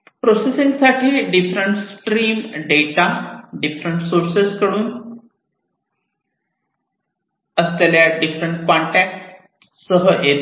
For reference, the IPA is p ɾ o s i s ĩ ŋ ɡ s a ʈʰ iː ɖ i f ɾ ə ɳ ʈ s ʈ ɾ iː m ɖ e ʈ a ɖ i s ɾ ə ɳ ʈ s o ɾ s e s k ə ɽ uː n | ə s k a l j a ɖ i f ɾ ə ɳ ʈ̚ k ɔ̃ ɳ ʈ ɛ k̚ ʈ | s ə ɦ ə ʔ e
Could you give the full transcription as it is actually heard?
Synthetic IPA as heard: p ɾ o s e s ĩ ŋ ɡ s a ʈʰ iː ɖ i f ɾ ə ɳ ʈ s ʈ ɾ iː m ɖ e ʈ a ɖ i f ɾ ə ɳ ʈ s o ɾ s e s k ə ɽ uː n | ə s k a l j a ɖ i f ɾ ə ɳ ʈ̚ k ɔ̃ ɳ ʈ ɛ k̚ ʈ | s ə ɦ ə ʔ e